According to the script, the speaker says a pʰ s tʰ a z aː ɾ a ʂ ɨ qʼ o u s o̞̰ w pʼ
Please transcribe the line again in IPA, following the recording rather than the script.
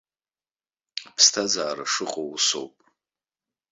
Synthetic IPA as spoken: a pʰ s tʰ a z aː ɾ a ʂ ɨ qʼ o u s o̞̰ w pʼ

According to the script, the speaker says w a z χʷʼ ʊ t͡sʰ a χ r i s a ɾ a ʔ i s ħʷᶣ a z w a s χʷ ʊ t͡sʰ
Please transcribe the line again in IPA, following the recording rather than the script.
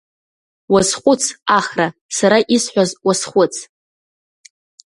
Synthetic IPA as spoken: w a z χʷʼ ʊ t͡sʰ a χ r a s a ɾ a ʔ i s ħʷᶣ a z w a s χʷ ʊ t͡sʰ

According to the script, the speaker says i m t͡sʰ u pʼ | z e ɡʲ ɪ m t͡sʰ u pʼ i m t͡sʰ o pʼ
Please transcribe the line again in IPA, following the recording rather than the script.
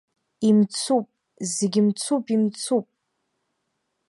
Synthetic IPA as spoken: i m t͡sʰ u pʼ | z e ɡʲ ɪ m t͡sʰ u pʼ i m t͡sʰ u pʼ

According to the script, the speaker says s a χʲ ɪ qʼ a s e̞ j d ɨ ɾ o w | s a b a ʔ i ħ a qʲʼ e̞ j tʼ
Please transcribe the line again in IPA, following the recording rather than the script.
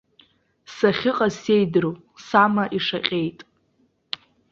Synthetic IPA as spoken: s a χʲ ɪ qʼ a s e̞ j d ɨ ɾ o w | s a m a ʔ i ʂ a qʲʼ e̞ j tʼ

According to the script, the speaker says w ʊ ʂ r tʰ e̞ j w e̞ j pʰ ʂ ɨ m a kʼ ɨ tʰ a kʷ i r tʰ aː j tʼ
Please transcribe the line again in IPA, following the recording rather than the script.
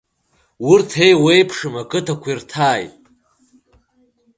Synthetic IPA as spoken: w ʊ r tʰ e̞ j w e̞ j pʰ ʂ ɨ m a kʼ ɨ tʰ a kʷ i r tʰ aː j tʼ

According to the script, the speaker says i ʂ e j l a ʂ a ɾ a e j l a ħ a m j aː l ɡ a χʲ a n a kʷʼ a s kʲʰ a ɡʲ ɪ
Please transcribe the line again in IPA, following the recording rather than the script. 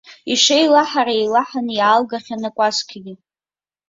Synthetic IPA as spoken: i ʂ e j l a ħ a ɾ a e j l a ħ a n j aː l ɡ a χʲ a n a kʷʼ a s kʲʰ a ɡʲ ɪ

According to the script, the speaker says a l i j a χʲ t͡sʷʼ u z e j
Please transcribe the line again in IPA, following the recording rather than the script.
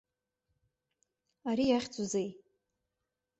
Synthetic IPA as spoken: a ɾ i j a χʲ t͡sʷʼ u z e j

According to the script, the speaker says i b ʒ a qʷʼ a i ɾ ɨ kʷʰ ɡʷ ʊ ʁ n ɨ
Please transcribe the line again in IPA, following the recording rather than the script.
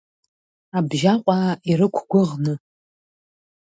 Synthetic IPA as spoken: a b ʒ a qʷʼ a i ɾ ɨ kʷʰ ɡʷ ʊ ʁ n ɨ

